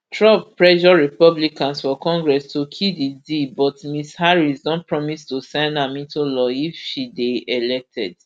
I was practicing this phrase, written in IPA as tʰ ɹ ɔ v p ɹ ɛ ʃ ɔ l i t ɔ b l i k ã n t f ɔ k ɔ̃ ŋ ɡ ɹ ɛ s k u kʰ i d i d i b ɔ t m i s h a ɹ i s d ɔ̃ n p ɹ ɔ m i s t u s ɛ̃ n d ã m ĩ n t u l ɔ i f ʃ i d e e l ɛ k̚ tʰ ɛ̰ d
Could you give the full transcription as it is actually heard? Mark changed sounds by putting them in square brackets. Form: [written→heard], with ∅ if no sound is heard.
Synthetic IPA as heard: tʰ ɹ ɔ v p ɹ ɛ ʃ ɔ [l→ɹ] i [t→p] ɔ b l i k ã n [t→s] f ɔ k ɔ̃ ŋ ɡ ɹ ɛ s [k→t] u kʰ i d i d i b ɔ t m i s h a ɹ i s d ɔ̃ n p ɹ ɔ m i s t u s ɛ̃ n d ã m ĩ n t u l ɔ i f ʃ i d e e l ɛ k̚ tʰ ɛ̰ d